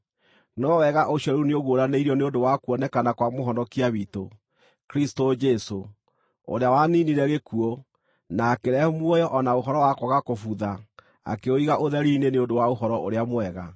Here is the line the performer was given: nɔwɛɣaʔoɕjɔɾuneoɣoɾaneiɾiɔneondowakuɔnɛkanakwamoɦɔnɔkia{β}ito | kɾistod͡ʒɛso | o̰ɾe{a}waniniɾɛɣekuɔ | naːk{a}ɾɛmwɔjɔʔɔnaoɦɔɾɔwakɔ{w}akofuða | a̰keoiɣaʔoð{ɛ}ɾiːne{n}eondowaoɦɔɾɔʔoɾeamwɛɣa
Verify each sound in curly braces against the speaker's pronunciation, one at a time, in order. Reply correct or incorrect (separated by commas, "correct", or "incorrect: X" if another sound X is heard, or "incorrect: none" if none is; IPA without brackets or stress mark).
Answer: correct, correct, incorrect: e, incorrect: ɣ, correct, correct